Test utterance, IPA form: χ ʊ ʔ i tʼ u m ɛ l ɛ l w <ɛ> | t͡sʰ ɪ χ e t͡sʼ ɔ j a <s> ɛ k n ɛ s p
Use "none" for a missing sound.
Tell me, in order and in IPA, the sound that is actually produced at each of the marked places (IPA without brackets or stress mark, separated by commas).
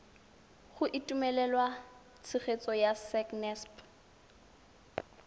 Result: a, s